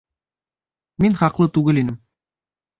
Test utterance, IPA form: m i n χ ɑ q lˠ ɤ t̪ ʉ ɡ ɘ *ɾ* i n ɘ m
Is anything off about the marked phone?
yes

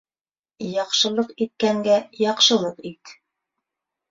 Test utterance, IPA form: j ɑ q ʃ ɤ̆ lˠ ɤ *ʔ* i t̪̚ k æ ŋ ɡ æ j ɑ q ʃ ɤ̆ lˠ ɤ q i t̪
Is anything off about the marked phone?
yes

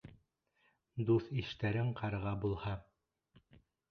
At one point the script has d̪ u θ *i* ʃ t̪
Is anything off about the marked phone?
no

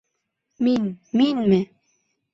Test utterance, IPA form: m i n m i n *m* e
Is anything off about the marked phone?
no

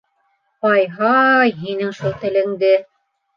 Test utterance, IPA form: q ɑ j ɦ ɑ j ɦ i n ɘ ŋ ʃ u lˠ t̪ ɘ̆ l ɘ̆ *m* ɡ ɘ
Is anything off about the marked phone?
yes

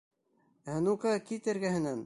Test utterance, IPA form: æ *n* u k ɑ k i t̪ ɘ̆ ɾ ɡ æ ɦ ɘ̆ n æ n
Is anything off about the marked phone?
no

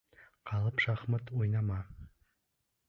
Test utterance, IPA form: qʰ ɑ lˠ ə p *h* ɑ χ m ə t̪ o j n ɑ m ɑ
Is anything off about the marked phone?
yes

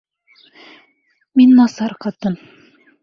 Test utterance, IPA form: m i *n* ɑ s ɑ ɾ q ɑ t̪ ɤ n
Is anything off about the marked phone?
yes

